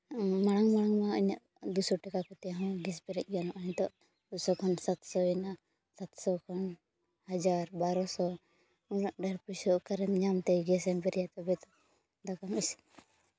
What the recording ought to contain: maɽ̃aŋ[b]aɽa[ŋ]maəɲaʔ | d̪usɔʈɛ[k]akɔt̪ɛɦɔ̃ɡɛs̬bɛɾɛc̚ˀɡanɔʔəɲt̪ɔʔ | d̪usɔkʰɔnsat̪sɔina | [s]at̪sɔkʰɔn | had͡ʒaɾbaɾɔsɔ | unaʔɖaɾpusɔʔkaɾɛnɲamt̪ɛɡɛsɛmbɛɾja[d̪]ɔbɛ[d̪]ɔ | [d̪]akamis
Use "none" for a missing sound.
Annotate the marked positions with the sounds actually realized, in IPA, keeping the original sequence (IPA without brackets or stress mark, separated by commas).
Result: m, ŋ, k, s, t̪, t̪, d̪